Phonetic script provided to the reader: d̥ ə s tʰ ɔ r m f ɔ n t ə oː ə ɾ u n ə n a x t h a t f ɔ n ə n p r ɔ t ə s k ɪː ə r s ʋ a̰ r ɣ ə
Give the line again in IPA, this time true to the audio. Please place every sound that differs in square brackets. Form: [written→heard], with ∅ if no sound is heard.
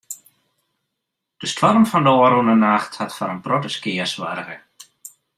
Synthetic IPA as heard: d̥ ə s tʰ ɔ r m f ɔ n [t→d] ə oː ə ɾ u n ə n a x t h a t f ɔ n ə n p r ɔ t ə s k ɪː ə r s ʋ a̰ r ɣ ə